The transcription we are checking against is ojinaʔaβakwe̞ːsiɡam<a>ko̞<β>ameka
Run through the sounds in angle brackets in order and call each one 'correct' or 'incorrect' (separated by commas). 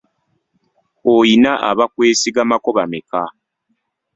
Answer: correct, correct